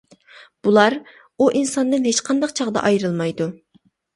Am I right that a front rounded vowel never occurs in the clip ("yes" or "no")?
yes